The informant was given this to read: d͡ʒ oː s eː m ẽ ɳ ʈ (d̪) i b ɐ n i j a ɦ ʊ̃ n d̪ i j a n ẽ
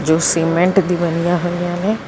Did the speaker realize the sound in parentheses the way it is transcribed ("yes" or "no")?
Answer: yes